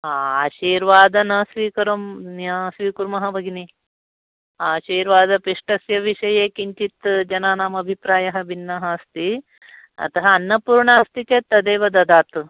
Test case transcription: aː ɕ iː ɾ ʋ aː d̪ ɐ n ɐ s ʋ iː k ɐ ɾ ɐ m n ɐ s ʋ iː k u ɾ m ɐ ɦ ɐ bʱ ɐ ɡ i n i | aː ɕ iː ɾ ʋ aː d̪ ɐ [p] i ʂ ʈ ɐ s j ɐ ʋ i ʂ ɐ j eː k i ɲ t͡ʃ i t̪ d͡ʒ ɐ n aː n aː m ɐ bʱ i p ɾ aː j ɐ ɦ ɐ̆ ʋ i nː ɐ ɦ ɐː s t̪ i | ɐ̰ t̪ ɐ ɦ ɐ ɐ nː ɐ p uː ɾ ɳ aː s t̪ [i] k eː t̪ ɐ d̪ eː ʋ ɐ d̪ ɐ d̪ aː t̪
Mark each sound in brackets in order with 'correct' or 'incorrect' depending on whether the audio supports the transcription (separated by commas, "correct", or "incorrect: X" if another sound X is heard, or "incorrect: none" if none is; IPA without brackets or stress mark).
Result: correct, correct